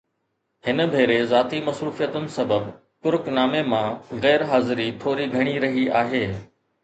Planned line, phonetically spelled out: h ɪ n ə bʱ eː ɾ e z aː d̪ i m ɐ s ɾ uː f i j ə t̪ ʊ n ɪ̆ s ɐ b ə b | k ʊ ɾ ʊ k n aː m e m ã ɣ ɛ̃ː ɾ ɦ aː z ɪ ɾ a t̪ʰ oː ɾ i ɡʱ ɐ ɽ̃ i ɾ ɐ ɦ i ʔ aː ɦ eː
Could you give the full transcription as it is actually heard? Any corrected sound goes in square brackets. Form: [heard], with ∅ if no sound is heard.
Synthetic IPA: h ɪ n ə bʱ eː ɾ e z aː [t̪] i m ɐ s ɾ uː f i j ə t̪ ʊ n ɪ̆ s ɐ b ə b | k ʊ ɾ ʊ k n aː m e m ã ɣ [ɛː] ɾ ɦ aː z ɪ ɾ [i] t̪ʰ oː ɾ i ɡʱ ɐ ɽ̃ i ɾ ɐ ɦ i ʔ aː ɦ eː